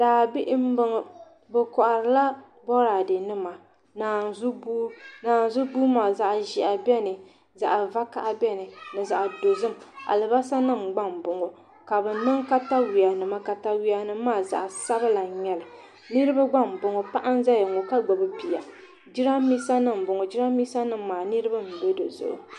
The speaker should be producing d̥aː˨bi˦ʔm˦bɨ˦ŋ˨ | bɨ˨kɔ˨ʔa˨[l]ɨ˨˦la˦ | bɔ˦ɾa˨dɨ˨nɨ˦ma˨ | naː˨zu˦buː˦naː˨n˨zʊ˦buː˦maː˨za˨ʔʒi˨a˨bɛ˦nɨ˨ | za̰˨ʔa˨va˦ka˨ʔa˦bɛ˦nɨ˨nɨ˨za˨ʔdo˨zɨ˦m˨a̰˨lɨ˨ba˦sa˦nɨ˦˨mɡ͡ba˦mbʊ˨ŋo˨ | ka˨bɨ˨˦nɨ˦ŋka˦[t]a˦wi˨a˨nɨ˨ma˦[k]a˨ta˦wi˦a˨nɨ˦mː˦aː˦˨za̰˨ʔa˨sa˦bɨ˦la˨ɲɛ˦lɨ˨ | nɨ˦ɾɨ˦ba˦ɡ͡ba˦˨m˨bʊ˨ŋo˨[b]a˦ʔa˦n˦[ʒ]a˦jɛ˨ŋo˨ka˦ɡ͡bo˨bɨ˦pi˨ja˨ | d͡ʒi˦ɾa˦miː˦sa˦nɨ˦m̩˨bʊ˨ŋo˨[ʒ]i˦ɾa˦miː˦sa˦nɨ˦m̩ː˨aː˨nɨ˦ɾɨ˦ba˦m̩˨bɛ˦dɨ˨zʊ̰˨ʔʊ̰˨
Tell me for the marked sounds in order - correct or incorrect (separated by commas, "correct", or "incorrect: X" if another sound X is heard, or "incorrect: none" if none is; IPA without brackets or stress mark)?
incorrect: ɾ, correct, correct, incorrect: p, incorrect: z, incorrect: d͡ʒ